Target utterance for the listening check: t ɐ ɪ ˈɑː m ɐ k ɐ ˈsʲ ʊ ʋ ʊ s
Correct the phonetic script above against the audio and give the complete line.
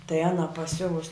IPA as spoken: t ɐ ɪ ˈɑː n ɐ p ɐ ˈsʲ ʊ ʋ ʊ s